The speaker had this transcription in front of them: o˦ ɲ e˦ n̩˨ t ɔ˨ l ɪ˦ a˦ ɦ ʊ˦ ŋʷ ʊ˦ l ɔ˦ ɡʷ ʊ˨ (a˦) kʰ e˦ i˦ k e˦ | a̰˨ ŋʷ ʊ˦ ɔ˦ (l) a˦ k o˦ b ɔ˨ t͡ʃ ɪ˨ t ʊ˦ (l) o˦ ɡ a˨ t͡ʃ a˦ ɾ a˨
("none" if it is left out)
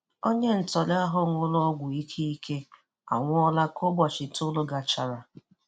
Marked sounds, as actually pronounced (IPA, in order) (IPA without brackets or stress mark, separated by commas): i˦, l, l